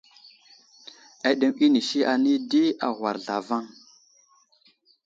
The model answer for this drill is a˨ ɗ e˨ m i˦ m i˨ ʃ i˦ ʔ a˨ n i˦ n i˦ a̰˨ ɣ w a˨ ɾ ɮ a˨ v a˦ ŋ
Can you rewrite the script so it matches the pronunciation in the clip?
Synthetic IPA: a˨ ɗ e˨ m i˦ n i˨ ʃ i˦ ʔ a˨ n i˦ d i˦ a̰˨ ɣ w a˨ ɾ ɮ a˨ v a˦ ŋ